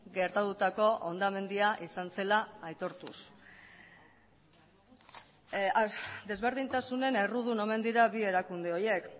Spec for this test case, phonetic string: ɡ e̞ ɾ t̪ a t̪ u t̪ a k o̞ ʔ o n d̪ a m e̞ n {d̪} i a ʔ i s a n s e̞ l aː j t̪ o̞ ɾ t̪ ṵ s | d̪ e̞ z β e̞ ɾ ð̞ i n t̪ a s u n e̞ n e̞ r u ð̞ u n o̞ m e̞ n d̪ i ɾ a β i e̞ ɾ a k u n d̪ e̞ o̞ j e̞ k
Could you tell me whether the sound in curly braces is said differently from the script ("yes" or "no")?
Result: no